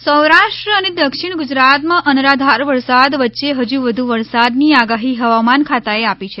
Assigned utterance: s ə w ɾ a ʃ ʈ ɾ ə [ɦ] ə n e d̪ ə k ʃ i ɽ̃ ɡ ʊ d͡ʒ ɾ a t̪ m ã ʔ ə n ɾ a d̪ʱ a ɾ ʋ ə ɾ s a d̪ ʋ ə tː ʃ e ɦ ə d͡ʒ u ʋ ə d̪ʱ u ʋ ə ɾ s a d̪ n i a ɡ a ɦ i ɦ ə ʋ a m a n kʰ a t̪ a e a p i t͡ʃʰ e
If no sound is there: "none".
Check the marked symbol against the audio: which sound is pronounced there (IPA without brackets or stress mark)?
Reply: none